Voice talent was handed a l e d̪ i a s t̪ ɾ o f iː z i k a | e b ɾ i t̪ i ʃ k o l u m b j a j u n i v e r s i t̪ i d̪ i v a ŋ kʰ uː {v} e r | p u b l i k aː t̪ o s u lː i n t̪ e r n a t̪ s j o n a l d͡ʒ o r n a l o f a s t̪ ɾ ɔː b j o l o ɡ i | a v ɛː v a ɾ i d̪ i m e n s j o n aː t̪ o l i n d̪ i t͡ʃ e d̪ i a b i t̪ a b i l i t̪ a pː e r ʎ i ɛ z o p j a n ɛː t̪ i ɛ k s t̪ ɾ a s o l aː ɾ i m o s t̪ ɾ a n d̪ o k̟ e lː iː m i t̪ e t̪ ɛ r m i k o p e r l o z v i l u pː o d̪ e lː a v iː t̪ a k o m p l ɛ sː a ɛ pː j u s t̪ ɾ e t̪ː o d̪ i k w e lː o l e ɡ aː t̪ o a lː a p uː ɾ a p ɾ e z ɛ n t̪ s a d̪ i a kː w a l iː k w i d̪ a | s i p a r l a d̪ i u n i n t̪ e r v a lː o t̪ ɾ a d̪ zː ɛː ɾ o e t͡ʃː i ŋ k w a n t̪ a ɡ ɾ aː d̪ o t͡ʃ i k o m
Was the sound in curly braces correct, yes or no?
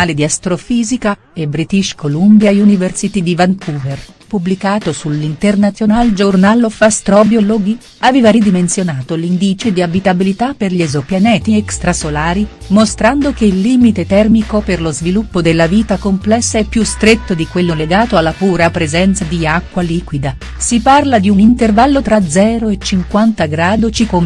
yes